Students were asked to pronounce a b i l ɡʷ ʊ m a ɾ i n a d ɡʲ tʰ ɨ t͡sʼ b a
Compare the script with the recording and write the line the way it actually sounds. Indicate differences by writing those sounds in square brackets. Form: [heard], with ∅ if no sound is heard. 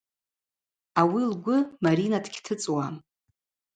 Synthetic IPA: a [w] i l ɡʷ ʊ m a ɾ i n a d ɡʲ tʰ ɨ t͡sʼ [w] a